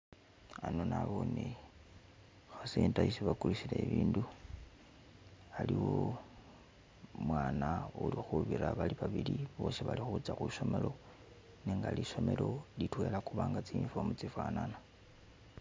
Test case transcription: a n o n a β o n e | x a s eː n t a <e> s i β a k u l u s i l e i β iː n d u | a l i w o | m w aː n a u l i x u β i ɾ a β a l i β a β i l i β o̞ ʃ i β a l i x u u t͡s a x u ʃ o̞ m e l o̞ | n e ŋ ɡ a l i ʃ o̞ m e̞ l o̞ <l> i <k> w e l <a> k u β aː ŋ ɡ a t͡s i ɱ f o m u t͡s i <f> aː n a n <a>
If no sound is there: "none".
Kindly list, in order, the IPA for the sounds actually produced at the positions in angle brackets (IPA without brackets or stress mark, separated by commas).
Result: i, l, t, a, f, a